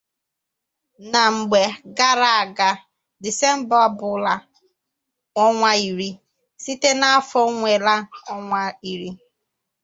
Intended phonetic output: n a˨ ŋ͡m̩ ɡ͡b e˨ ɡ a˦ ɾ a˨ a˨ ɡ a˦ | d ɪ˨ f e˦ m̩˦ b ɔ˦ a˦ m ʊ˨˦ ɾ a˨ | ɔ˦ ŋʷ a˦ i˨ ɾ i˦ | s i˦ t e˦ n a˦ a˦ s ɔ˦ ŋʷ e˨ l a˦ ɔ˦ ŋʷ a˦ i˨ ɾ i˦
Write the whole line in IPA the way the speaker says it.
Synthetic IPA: n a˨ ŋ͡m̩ ɡ͡b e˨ ɡ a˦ ɾ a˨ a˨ ɡ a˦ | d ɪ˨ s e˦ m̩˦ b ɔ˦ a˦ b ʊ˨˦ l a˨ | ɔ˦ ŋʷ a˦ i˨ ɾ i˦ | s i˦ t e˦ n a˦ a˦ f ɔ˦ ŋʷ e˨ l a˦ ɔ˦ ŋʷ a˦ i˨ ɾ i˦

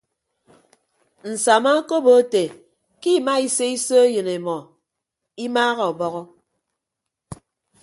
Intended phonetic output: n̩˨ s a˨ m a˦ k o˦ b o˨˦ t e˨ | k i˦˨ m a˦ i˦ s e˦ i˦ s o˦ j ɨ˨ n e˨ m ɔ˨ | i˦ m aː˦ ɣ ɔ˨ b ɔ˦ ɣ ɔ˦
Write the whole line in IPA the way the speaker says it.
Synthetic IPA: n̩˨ s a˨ m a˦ k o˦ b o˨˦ t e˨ | k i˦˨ m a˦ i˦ s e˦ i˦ s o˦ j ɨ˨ n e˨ m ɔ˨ | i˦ m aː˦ ɣ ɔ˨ b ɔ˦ ɣ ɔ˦

